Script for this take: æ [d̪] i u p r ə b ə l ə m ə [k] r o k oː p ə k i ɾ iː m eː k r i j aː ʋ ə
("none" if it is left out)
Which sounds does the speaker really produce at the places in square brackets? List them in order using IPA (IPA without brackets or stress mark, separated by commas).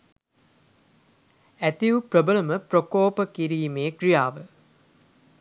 t̪, p